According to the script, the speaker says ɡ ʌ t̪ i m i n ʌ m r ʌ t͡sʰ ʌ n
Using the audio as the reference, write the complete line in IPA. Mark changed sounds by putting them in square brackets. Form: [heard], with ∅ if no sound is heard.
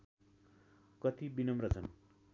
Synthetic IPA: [k] ʌ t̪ i [b] i n ʌ m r ʌ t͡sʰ ʌ n